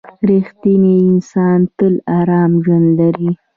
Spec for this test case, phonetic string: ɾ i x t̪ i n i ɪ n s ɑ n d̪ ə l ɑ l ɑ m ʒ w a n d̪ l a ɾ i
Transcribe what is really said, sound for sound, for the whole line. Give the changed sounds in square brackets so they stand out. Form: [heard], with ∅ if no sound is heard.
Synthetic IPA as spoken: ɾ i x t̪ i n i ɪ n s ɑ n [t̪] ə l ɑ [ɾ] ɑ m ʒ w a n d̪ l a ɾ i